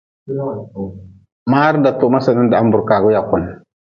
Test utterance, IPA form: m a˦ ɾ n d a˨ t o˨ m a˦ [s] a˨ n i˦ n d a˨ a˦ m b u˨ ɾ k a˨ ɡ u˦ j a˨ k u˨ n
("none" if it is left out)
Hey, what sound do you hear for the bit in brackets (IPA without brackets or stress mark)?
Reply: s